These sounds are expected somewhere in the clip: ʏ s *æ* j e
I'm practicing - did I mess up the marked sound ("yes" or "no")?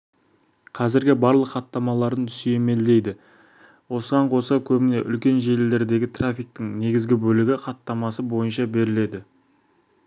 yes